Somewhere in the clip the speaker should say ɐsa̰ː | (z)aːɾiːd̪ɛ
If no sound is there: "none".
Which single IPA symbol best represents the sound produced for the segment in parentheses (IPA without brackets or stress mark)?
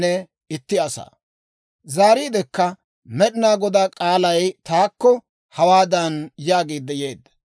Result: z